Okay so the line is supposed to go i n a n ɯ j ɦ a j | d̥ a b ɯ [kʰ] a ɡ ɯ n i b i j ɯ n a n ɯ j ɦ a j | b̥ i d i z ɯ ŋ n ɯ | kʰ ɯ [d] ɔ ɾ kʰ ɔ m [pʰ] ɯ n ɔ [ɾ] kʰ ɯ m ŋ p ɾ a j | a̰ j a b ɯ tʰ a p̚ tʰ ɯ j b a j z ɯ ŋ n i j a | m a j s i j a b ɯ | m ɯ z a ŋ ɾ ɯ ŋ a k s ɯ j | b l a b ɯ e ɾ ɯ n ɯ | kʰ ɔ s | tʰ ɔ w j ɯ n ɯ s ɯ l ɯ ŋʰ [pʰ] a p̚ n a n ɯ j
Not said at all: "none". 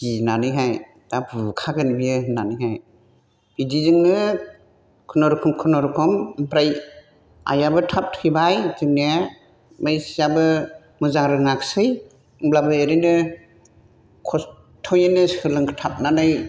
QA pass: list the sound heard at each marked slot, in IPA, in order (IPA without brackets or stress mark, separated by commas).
kʰ, n, kʰ, ɾ, tʰ